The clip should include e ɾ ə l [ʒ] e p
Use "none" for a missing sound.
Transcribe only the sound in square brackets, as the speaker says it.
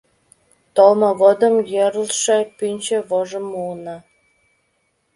ʃ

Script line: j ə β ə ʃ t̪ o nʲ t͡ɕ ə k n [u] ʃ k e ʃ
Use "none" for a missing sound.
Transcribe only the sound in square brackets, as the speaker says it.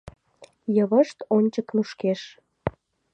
u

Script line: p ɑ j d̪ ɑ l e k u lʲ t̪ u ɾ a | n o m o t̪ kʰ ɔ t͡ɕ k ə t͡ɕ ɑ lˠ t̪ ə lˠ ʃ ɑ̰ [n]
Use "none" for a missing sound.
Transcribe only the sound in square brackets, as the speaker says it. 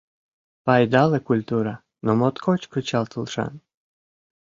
n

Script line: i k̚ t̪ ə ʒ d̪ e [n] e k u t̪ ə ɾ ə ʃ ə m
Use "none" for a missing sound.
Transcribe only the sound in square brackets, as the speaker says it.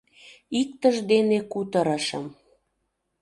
n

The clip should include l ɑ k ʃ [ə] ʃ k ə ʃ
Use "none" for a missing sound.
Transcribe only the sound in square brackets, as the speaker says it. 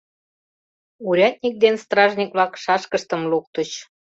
ɑ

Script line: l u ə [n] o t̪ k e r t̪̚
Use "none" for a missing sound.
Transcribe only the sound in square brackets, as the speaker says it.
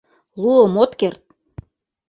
m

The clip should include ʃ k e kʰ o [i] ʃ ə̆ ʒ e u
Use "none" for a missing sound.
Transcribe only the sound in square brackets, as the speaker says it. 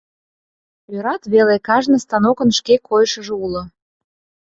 j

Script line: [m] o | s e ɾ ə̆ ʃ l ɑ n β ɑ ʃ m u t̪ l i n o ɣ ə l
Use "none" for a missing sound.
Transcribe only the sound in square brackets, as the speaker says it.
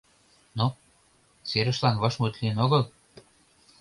n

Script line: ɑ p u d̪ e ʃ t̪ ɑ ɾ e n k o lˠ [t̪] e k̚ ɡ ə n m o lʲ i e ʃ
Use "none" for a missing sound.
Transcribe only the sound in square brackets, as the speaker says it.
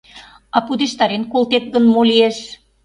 t̪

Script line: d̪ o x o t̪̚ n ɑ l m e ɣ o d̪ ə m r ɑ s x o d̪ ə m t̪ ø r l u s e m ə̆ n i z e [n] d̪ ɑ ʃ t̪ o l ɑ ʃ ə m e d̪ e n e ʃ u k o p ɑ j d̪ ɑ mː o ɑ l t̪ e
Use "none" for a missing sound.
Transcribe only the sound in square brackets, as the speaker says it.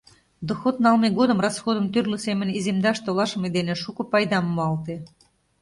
m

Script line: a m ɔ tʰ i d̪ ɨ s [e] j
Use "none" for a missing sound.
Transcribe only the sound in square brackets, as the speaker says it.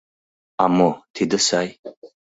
a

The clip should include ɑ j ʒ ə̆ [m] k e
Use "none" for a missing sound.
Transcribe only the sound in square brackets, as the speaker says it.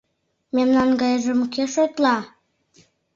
m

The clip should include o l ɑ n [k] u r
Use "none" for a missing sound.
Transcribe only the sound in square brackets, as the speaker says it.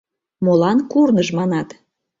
k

